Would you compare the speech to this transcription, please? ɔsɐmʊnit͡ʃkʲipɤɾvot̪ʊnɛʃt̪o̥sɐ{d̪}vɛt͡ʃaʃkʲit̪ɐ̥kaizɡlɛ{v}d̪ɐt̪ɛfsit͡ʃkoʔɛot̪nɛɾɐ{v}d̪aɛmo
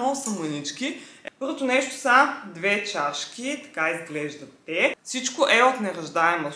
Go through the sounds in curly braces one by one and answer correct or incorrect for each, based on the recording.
correct, incorrect: ʒ, incorrect: ʒ

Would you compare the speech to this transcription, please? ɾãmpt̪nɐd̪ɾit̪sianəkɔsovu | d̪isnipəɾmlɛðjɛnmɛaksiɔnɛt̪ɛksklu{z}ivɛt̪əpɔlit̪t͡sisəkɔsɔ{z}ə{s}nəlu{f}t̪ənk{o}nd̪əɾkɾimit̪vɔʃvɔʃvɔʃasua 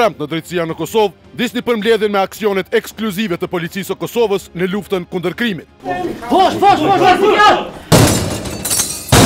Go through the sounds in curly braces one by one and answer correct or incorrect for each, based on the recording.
correct, incorrect: v, correct, correct, incorrect: u

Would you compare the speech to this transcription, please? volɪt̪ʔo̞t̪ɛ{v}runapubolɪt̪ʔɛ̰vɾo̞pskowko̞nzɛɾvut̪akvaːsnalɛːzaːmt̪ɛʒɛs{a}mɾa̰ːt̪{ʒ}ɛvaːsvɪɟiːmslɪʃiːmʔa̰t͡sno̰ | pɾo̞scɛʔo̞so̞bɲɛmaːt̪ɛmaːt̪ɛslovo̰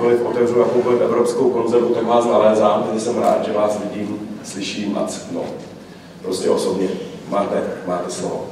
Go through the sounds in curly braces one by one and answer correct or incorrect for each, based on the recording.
correct, incorrect: ɛ, correct

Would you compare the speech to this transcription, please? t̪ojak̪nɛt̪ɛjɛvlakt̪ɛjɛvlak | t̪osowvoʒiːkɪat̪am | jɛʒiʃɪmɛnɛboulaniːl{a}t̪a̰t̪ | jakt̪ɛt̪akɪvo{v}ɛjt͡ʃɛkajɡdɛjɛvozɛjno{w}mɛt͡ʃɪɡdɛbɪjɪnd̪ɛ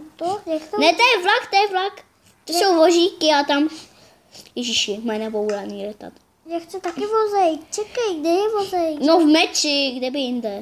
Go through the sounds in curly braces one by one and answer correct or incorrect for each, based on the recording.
incorrect: ɛ, incorrect: z, incorrect: v

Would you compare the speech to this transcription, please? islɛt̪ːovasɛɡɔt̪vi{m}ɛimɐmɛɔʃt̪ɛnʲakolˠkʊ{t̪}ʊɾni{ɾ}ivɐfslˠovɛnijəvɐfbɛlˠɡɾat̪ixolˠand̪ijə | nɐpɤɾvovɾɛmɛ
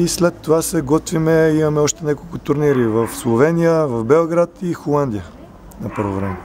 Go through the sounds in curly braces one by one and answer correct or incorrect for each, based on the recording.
correct, correct, correct

